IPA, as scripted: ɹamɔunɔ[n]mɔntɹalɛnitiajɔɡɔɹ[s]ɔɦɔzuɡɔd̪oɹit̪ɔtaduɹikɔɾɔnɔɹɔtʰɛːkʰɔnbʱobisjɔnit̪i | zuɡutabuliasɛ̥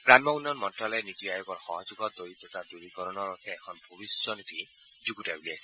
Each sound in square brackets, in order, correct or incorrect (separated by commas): correct, incorrect